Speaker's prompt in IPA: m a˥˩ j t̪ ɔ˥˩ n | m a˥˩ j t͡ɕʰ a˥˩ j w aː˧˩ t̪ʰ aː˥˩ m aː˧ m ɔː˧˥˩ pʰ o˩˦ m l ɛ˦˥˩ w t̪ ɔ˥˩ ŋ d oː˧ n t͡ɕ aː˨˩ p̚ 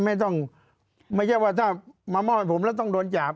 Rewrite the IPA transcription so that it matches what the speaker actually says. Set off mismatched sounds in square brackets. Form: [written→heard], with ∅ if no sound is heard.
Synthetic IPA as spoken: m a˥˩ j t̪ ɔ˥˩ [n→ŋ] | m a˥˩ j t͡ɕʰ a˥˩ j w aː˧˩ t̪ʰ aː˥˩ m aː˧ m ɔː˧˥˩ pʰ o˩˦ m l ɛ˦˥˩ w t̪ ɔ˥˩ ŋ d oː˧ n t͡ɕ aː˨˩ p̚